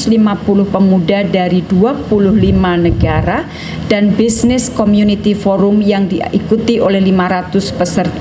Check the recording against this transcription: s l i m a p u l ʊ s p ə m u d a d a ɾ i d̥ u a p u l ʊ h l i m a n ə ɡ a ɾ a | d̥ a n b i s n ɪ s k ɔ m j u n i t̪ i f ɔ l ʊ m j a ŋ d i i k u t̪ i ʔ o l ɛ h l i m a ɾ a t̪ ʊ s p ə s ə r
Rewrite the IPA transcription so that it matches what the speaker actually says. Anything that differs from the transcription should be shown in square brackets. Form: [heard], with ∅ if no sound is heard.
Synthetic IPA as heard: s l i m a p u l ʊ [h] p ə m u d a d a ɾ i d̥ u a p u l ʊ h l i m a n ə ɡ a ɾ a | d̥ a n b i s n ɪ s k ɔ m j u n i t̪ i f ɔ [ɾ] ʊ m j a ŋ d i i k u t̪ i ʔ o l ɛ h l i m a ɾ a t̪ ʊ s p ə s ə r

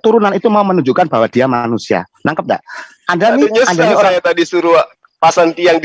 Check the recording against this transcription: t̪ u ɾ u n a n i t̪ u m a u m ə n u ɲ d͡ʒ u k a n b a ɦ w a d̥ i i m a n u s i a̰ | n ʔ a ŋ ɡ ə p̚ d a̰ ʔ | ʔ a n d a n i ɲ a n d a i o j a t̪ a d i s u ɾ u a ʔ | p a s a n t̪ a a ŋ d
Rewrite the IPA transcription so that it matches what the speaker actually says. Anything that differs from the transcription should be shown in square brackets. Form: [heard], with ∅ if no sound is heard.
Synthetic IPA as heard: t̪ u ɾ u n a n i t̪ u m a u m ə n u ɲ d͡ʒ u k a n b a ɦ w a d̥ i [a] m a n u s i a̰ | n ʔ a ŋ [k] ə p̚ d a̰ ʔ | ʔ a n d a n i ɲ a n d a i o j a t̪ a d i s u ɾ u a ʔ | p a s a n t̪ [i] a ŋ d

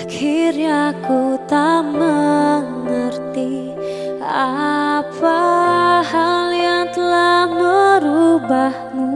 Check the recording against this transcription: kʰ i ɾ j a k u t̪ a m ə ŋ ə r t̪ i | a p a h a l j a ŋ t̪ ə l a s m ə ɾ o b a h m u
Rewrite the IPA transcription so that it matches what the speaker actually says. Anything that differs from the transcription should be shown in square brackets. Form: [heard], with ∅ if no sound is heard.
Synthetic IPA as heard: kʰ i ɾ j a k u t̪ a m ə ŋ ə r t̪ i | a p a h a l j a ŋ t̪ ə l a [h] m ə ɾ [u] b a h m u

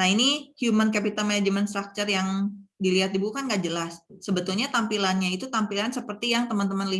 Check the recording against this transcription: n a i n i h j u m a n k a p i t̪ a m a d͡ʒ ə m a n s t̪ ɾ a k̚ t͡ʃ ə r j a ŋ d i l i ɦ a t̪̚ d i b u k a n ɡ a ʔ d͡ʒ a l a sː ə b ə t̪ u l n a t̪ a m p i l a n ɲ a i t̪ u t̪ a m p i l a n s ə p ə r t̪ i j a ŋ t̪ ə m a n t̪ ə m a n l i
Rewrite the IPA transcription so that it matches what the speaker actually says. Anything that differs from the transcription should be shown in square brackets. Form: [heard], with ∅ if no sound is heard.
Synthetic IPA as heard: n a i n i h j u m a n k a p i t̪ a m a d͡ʒ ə m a n s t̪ ɾ a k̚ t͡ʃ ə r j a ŋ d i l i ɦ a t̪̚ d i b u k a n ɡ a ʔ d͡ʒ [ə] l a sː ə b ə t̪ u l [ɲ] a t̪ a m p i l a n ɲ a i t̪ u t̪ a m p i l a n s ə p ə r t̪ i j a ŋ t̪ ə m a n t̪ ə m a n l i

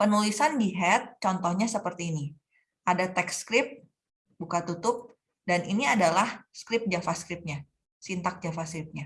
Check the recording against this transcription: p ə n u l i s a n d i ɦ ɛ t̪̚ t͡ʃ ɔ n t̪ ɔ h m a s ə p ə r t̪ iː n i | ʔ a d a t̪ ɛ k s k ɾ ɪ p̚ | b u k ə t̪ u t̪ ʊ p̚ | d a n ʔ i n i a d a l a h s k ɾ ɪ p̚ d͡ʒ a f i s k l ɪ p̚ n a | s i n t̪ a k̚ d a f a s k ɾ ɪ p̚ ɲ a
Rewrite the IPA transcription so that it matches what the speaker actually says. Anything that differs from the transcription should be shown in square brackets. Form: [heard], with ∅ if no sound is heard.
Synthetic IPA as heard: p ə n u l i s a n d i ɦ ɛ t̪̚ t͡ʃ ɔ n t̪ ɔ h [ɲ] a s ə p ə r t̪ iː n i | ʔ a d a t̪ ɛ k s k ɾ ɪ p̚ | b u k [a] t̪ u t̪ ʊ p̚ | d a n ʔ i n i a d a l a h s k ɾ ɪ p̚ d͡ʒ a f [a] s k [ɾ] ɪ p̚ [ɲ] a | s i n t̪ a k̚ [d͡ʒ] a f a s k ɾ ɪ p̚ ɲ a

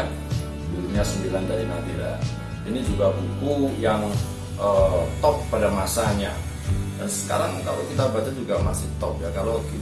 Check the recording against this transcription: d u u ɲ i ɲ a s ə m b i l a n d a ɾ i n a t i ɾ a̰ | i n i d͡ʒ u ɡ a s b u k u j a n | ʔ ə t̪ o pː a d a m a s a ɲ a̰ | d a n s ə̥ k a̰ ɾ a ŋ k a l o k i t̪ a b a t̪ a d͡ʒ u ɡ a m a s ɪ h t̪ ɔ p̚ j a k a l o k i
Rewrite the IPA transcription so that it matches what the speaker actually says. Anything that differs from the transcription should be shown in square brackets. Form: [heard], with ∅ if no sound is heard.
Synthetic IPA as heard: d u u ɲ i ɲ a s ə m b i l a n d a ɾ i n a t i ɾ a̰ | i n i d͡ʒ u ɡ a [∅] b u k u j a [ŋ] | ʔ ə t̪ [ɔ] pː a d a m a s a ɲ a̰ | d a n s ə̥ k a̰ ɾ a ŋ k a l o k i t̪ a b a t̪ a d͡ʒ u ɡ a m a s ɪ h t̪ ɔ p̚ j a k a l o k i

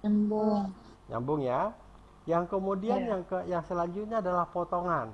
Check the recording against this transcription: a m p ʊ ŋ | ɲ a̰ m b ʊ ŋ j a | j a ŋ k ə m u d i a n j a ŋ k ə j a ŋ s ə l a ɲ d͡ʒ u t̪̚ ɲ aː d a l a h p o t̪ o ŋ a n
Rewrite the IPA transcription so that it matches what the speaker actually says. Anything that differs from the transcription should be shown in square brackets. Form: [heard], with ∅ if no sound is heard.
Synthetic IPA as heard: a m [b] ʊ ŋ | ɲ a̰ m b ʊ ŋ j a | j a ŋ k ə m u d i a n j a ŋ k ə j a ŋ s ə l a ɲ d͡ʒ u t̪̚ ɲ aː d a l a h p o t̪ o ŋ a n

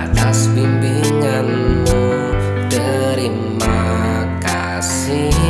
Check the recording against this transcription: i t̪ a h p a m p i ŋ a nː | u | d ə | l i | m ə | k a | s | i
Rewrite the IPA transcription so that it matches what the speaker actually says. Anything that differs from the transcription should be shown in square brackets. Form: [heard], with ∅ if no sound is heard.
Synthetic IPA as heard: [a] t̪ a [s] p [i] m p i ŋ a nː | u | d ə | [ɾ] i | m [a] | k a | s | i

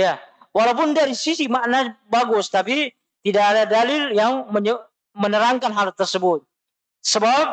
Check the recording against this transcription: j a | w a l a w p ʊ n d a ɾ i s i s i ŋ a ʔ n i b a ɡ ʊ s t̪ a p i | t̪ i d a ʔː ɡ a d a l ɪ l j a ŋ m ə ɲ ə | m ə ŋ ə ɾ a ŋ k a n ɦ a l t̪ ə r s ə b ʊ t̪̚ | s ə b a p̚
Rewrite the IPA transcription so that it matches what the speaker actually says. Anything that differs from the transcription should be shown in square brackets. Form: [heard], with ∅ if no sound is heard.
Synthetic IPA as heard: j a | w a l a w p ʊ n d a ɾ i s i s i [m] a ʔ n [a] b a ɡ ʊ s t̪ a p i | t̪ i d a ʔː [d] a d a l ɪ l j a ŋ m ə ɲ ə | m ə [n] ə ɾ a ŋ k a n ɦ a l t̪ ə r s ə b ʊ t̪̚ | s ə b a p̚

